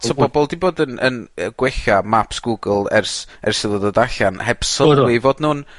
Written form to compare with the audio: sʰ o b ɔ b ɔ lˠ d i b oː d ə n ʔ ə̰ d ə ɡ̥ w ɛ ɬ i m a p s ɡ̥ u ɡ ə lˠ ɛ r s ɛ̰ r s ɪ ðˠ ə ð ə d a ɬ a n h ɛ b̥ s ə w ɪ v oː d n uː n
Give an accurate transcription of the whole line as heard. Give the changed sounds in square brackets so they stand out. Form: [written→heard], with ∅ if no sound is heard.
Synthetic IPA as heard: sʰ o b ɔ b ɔ lˠ d i b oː d ə n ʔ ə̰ [d→n] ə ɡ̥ w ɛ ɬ [i→a] m a p s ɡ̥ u ɡ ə lˠ ɛ r s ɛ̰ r s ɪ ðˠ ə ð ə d a ɬ a n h ɛ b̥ s ə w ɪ v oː d n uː n

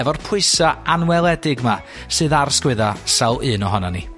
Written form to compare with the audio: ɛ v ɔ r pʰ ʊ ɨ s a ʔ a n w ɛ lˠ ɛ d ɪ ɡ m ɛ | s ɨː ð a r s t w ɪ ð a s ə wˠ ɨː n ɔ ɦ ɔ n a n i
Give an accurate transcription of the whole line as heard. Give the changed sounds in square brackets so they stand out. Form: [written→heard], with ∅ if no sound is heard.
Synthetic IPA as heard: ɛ v ɔ r pʰ ʊ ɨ s a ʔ a n w ɛ lˠ ɛ d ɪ ɡ m [ɛ→a] | s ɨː ð a r s [t→k] w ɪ ð a s [ə→a] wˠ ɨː n ɔ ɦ ɔ n a n i

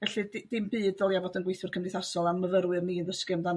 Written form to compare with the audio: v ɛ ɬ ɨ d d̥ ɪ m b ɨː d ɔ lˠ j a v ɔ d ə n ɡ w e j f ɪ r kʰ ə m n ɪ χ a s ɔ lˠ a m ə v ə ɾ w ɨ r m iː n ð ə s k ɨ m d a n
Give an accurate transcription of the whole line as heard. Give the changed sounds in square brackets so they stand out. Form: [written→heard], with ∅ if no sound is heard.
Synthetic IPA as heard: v ɛ ɬ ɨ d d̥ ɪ m b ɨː d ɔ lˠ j a v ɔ d ə n ɡ w e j [f→θ] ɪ r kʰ ə m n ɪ [χ→θ] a s ɔ lˠ a m ə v ə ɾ w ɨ r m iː n ð ə s k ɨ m d a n

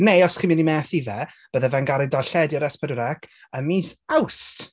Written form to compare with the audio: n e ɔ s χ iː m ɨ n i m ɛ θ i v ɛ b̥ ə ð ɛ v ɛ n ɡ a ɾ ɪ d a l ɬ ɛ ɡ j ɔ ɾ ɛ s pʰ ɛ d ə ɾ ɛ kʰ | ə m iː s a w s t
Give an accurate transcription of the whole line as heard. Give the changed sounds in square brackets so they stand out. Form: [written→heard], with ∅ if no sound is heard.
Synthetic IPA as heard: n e ɔ s χ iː m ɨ n i m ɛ θ i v ɛ b̥ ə ð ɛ v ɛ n ɡ a ɾ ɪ d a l ɬ ɛ [ɡ→d] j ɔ ɾ ɛ s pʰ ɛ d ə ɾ ɛ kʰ | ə m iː s a w s t

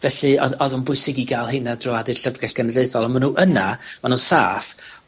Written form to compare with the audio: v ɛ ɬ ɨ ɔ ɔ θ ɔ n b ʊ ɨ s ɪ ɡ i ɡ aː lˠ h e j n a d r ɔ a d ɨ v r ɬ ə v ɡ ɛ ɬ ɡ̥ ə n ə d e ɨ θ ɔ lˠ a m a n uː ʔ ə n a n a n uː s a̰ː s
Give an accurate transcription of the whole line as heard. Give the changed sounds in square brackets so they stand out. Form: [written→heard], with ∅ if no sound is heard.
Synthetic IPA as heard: v ɛ ɬ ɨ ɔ ɔ [θ→ð] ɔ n b ʊ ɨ s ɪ ɡ i ɡ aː lˠ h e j n a d r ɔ a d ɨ [v→∅] r ɬ ə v ɡ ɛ ɬ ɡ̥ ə n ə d e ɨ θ ɔ lˠ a m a n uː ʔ ə n a [n→m] a n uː s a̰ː [s→f]

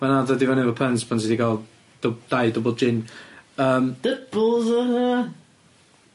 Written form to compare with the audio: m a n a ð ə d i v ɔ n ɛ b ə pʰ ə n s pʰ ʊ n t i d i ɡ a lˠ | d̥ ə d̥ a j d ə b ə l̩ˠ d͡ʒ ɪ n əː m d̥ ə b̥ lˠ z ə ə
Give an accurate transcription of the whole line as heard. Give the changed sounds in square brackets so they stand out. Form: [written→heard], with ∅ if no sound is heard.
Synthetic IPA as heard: m a n a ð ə d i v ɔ n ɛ [b→v] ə pʰ ə n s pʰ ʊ n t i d i ɡ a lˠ | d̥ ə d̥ a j d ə b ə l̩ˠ d͡ʒ ɪ n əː m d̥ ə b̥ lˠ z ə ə

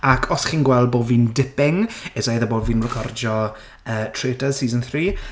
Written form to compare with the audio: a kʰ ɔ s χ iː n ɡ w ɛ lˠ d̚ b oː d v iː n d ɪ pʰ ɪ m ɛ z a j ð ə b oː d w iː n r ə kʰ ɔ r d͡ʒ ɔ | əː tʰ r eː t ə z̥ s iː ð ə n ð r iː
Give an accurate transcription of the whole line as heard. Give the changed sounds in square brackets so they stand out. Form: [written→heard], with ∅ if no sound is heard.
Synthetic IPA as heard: a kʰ ɔ s χ iː n ɡ w ɛ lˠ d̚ b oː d v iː n d ɪ [pʰ→p] ɪ [m→ŋ] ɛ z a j ð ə b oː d [w→v] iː n r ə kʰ ɔ r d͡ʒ ɔ | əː tʰ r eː t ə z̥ s iː [ð→z] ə n [ð→θ] r iː

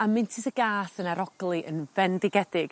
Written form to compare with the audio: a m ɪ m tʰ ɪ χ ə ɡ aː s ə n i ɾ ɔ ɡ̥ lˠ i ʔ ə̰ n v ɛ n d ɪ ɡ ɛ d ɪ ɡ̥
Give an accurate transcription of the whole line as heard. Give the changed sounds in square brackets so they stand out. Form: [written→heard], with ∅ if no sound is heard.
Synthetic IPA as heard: a m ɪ [m→n] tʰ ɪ [χ→s] ə ɡ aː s ə n [i→a] ɾ ɔ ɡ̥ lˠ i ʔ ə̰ n v ɛ n d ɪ ɡ ɛ d ɪ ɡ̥

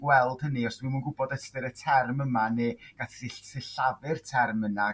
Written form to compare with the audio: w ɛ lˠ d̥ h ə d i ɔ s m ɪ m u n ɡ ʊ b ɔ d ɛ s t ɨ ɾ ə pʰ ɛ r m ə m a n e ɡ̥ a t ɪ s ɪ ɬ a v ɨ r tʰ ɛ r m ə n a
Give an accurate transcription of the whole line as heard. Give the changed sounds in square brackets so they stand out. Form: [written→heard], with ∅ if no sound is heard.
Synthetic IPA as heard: w ɛ lˠ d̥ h ə [d→n] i ɔ s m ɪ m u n ɡ ʊ b ɔ d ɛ s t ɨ ɾ ə [pʰ→tʰ] ɛ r m ə m a n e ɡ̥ a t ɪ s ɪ ɬ a v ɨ r tʰ ɛ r m ə n a

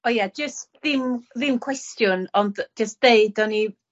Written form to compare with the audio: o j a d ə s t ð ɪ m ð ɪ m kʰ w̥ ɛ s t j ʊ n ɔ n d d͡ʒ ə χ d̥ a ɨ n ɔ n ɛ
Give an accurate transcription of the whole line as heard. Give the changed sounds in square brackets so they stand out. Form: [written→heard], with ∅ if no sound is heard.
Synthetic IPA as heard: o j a [d→d͡ʒ] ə s t ð ɪ m ð ɪ m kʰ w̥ ɛ s t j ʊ n ɔ n d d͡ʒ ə [χ→s] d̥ [a→e] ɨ [n→d] ɔ n [ɛ→i]

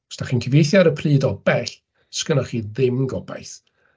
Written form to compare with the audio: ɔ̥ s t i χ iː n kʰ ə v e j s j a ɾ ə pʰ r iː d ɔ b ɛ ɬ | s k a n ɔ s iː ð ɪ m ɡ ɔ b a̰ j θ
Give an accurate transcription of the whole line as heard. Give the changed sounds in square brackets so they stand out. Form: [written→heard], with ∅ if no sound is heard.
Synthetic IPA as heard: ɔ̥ s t [i→a] χ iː n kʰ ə v e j [s→θ] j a ɾ ə pʰ r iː d ɔ b ɛ ɬ | s k [a→ə] n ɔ [s→χ] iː ð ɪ m ɡ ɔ b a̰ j θ

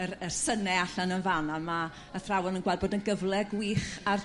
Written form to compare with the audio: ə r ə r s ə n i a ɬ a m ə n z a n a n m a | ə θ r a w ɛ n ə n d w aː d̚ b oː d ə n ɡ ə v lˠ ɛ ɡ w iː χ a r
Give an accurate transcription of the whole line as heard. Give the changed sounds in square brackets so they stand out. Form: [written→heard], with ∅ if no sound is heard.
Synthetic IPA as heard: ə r ə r s ə n [i→ɛ] a ɬ a [m→n] ə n [z→v] a n a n m a | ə θ r a w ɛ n ə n [d→ɡ] w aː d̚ b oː d ə n ɡ ə v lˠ ɛ ɡ w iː χ a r

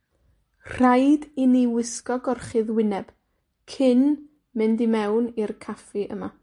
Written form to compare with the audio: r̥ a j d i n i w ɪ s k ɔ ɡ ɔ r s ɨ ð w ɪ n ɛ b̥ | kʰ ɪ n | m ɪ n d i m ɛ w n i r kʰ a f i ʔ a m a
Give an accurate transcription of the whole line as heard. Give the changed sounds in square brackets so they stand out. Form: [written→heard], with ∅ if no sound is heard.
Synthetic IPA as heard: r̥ a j d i n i w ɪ s k ɔ ɡ ɔ r [s→χ] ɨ ð w ɪ n ɛ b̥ | kʰ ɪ n | m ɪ n d i m ɛ w n i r kʰ a f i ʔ [a→ə] m a

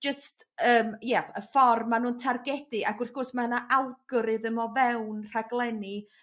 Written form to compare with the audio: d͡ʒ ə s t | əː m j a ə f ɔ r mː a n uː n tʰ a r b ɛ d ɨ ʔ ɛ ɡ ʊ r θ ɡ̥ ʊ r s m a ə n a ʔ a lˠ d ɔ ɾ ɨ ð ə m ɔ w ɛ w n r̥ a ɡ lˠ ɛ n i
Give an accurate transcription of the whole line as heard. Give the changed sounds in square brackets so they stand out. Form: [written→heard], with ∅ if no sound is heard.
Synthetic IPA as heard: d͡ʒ ə s t | əː m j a ə f ɔ r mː a n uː n tʰ a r [b→ɡ] ɛ d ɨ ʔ [ɛ→a] ɡ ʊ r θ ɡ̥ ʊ r s m a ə n a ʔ a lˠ [d→ɡ] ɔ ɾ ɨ ð ə m ɔ [w→v] ɛ w n r̥ a ɡ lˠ ɛ n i

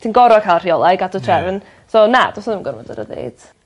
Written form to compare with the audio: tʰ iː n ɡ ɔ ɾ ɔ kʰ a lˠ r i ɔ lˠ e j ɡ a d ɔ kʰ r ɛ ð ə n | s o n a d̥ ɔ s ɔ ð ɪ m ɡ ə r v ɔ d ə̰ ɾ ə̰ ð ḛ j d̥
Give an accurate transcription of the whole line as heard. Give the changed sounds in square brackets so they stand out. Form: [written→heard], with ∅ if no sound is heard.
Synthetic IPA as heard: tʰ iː n ɡ ɔ ɾ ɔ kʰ a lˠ r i ɔ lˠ [e→a] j ɡ a d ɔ [kʰ→tʰ] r ɛ [ð→v] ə n | s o n a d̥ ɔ s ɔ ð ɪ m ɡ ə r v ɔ d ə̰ ɾ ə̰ ð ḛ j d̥

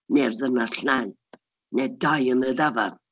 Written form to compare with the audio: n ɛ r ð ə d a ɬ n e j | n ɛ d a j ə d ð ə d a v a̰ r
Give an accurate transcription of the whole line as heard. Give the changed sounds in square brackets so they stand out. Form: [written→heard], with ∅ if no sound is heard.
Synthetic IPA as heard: n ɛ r ð ə [d→n] a ɬ n [e→a] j | n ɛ d a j ə [d→n] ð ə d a v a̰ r

